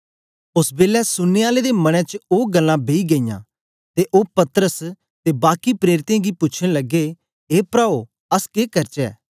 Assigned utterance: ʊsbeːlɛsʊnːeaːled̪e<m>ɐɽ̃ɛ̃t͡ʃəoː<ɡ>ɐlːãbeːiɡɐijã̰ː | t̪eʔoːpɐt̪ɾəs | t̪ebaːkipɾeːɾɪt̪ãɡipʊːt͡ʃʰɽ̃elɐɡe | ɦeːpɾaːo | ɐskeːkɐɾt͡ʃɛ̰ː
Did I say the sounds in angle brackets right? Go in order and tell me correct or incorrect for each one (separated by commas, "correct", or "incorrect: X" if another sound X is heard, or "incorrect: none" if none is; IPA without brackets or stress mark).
correct, correct